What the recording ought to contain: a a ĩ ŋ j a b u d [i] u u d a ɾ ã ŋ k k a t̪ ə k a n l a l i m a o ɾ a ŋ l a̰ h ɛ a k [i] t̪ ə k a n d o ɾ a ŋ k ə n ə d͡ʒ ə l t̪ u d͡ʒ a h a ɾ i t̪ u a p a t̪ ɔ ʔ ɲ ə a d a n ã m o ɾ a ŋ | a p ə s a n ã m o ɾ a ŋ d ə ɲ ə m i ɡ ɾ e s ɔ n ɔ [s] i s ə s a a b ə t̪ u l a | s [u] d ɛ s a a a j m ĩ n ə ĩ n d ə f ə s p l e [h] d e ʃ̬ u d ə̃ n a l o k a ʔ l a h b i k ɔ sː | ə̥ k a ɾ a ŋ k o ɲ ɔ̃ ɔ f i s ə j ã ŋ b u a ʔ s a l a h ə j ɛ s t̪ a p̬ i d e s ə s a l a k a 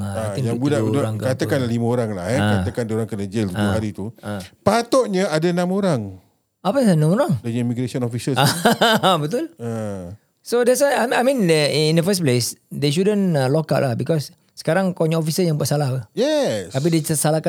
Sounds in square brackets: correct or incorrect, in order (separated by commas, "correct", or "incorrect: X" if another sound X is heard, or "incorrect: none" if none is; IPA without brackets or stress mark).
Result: incorrect: a, incorrect: a, incorrect: f, incorrect: o, incorrect: s